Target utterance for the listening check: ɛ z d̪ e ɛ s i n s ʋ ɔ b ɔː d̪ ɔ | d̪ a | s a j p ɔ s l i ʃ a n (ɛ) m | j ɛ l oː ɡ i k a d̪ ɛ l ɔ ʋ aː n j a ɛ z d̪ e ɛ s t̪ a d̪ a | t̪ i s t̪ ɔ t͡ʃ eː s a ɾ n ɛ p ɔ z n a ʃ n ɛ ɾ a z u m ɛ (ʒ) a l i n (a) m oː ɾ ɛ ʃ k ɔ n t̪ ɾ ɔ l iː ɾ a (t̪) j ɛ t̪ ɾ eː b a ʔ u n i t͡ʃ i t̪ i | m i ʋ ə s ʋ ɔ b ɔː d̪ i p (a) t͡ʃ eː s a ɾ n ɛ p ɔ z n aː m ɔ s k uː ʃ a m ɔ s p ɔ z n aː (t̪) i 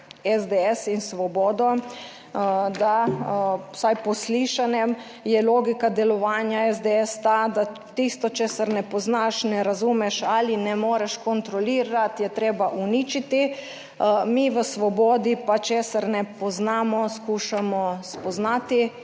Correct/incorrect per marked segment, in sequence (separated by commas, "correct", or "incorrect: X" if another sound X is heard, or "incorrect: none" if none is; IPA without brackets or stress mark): correct, incorrect: ʃ, incorrect: ɛ, correct, correct, correct